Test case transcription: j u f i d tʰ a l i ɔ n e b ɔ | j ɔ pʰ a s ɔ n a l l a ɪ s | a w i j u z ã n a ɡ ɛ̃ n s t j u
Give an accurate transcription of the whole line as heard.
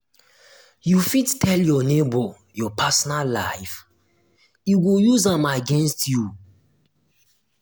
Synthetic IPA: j u f i d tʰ ɛ l j ɔ n e b ɔ | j ɔ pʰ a s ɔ n a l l a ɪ f | i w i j u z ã m a ɡ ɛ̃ n s t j u